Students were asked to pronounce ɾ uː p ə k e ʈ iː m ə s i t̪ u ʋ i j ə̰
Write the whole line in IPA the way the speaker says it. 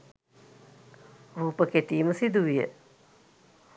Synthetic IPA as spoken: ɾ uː p ə k e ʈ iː m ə s i d̪ u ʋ i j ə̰